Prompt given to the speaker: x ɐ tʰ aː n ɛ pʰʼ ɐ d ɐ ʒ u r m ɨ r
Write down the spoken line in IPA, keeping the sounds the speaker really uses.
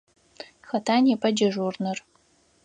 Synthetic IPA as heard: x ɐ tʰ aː n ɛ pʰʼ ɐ d͡ʒ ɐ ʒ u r n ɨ r